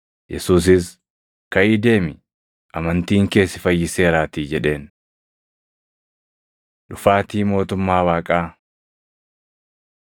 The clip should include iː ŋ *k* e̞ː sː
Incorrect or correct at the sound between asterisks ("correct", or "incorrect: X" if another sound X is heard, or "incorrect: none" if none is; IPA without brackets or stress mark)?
correct